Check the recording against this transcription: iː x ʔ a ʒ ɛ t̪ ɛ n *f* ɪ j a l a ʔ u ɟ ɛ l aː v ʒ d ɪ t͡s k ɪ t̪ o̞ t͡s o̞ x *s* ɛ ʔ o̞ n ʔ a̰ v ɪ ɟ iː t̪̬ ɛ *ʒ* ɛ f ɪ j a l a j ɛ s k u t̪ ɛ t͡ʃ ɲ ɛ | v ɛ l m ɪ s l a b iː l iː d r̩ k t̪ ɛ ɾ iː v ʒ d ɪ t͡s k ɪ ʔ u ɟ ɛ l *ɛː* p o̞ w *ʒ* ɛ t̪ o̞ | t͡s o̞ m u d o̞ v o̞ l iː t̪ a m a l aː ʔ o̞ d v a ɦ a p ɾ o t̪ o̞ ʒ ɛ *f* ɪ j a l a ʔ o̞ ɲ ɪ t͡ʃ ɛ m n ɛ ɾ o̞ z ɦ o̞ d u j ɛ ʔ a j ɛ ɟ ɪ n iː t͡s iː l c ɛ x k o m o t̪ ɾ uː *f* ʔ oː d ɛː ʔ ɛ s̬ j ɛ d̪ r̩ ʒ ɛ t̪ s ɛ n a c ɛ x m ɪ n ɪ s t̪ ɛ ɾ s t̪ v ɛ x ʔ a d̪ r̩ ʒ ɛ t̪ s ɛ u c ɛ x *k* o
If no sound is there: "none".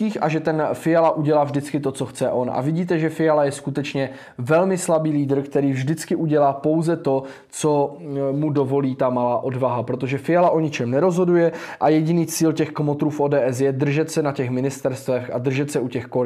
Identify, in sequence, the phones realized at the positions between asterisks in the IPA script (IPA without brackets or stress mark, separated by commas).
f, t͡s, ʒ, aː, z, f, f, k